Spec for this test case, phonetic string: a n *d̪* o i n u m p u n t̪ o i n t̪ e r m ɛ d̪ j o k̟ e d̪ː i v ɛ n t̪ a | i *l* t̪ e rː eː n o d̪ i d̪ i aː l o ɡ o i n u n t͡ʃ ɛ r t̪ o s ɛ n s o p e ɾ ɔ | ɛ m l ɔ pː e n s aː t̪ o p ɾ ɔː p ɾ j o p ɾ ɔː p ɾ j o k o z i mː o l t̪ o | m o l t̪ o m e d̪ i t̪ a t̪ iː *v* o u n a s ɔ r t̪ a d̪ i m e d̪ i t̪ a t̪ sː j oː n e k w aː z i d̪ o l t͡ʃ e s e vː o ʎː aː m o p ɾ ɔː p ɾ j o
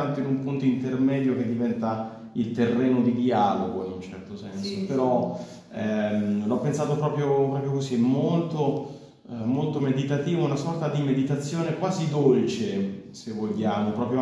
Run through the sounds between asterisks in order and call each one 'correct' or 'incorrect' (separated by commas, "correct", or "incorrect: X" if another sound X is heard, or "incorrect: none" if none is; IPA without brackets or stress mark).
incorrect: t̪, correct, correct